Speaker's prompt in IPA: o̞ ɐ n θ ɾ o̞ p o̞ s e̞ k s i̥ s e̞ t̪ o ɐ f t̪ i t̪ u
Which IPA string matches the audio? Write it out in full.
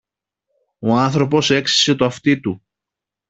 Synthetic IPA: o̞ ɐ n θ ɾ o̞ p o̞ s e̞ k s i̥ s e̞ t̪ o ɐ f t̪ i t̪ u

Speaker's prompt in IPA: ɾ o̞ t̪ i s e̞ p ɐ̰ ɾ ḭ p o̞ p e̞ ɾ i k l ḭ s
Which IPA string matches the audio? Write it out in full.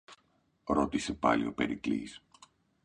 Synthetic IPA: ɾ o̞ t̪ i s e̞ p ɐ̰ l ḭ o̞ p e̞ ɾ i k l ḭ s

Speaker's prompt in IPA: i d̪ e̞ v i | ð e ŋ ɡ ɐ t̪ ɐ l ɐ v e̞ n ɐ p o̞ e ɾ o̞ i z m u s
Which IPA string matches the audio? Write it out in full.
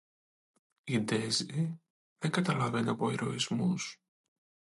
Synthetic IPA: i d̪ e̞ z i | ð e ŋ ɡ ɐ t̪ ɐ l ɐ v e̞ n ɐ p o̞ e ɾ o̞ i z m u s

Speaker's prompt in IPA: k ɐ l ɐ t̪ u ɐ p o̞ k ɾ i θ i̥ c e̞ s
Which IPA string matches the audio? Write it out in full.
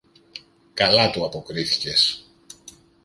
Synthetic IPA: k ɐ l ɐ t̪ u ɐ p o̞ k ɾ i θ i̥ c e̞ s

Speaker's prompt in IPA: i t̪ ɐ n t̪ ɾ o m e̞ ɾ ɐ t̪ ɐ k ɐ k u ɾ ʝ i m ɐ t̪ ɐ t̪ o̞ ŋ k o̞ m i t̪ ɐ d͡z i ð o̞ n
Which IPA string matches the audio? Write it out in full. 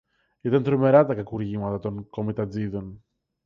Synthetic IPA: i t̪ ɐ n t̪ ɾ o m e̞ ɾ ɐ t̪ ɐ k ɐ k u ɾ ʝ i m ɐ t̪ ɐ t̪ o̞ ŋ k o̞ m i t̪ ɐ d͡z i ð o̞ n

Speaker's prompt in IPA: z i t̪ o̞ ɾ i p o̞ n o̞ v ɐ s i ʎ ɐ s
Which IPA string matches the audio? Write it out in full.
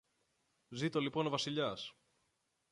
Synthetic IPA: z i t̪ o̞ l i p o̞ n o̞ v ɐ s i ʎ ɐ s

